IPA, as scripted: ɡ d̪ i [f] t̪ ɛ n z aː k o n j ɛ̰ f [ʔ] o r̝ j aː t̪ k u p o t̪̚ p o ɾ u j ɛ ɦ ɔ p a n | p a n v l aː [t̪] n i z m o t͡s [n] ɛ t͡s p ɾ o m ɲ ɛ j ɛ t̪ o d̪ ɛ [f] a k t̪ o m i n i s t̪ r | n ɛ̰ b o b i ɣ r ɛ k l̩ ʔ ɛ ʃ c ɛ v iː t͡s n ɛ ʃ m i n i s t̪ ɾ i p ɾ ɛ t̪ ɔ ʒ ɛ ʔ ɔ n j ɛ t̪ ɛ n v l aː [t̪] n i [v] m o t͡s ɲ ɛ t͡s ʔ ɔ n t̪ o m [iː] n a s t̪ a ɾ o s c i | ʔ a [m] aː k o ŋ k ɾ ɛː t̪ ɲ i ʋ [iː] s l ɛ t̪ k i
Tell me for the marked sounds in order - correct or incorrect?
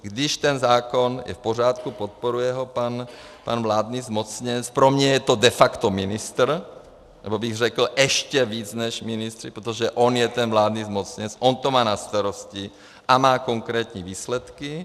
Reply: incorrect, incorrect, incorrect, incorrect, correct, incorrect, incorrect, incorrect, correct, correct

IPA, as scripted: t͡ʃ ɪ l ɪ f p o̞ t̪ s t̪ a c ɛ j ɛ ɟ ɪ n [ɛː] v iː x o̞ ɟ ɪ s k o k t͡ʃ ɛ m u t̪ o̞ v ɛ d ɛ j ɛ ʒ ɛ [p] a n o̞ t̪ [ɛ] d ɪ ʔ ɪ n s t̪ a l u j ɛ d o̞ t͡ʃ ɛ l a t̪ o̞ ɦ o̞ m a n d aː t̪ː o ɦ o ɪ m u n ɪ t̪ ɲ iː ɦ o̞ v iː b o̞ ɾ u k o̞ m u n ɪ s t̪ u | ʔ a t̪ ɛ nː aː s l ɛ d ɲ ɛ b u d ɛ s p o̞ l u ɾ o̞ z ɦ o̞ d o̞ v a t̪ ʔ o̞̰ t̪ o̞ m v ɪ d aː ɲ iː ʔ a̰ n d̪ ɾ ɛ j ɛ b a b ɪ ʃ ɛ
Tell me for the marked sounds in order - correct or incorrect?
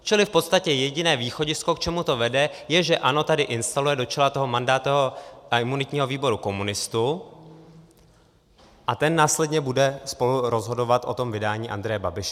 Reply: correct, incorrect, incorrect

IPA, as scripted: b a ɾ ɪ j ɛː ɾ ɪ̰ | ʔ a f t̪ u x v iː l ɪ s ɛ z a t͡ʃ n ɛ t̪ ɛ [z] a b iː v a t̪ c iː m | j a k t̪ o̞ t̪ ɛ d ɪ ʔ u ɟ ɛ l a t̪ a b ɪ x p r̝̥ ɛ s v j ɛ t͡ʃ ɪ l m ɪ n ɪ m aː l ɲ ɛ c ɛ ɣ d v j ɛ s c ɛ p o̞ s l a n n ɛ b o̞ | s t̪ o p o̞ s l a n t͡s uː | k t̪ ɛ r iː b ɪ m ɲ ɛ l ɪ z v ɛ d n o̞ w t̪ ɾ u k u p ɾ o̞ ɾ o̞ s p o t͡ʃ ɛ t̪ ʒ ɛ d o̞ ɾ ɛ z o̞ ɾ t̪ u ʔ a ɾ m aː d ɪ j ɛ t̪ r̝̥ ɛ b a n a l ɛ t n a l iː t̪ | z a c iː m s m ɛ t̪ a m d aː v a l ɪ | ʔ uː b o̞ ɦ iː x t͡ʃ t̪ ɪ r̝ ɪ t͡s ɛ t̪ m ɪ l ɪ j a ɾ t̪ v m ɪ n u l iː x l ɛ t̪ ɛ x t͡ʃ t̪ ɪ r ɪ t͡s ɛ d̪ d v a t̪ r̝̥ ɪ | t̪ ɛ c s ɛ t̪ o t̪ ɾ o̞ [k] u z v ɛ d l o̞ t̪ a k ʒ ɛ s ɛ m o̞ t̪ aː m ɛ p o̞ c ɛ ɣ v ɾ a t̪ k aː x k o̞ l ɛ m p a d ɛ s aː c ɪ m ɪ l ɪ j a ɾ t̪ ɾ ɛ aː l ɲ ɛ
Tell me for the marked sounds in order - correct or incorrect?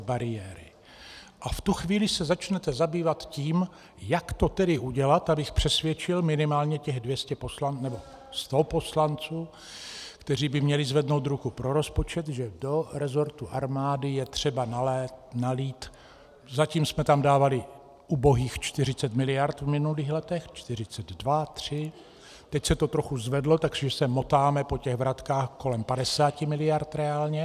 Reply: correct, incorrect

